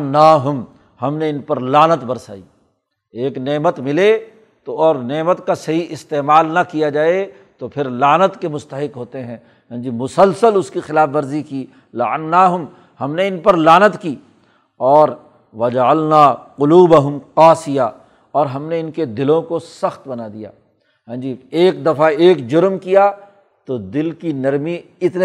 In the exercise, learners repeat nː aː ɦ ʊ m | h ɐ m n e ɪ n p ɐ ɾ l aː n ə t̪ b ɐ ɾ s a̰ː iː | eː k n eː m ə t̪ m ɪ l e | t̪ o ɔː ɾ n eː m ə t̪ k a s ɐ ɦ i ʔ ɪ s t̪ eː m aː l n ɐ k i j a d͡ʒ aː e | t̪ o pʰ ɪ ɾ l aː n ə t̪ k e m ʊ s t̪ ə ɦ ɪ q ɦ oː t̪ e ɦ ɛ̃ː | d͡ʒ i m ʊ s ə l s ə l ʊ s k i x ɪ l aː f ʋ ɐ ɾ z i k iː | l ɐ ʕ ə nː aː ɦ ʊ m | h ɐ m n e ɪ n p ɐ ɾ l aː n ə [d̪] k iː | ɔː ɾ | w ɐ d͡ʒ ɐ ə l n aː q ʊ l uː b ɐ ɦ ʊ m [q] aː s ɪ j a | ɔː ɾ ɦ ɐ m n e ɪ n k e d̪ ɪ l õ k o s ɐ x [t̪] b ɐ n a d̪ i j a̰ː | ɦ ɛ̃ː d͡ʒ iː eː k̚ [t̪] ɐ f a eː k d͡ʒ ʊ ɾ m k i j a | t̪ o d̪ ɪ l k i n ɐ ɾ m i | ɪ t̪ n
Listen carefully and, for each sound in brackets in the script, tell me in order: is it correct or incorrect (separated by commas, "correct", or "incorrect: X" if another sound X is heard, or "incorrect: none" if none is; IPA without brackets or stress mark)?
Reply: incorrect: t̪, correct, correct, incorrect: d̪